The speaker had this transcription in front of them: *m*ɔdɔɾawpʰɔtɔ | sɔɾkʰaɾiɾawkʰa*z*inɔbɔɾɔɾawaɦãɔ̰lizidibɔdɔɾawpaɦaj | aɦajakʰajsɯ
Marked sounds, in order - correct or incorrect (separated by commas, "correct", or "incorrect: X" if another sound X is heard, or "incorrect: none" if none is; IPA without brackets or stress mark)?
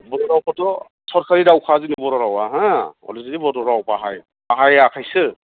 incorrect: b, correct